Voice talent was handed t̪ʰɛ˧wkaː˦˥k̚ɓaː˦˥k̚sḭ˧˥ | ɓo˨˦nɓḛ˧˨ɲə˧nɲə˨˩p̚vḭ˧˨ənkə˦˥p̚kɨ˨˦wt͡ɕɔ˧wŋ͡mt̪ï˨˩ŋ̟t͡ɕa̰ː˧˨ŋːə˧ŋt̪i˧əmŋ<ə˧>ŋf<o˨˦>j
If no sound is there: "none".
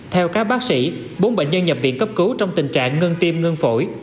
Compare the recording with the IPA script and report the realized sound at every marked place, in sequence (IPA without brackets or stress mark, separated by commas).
ə˧, o˧˩